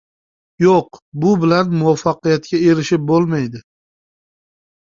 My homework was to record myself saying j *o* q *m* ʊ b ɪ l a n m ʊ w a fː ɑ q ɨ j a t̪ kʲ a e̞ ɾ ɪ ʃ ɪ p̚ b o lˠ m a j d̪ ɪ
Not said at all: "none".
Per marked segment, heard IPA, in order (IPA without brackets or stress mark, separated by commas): o, b